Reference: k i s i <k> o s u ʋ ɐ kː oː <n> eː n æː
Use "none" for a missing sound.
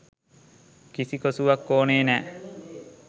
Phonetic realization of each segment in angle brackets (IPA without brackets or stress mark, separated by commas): k, n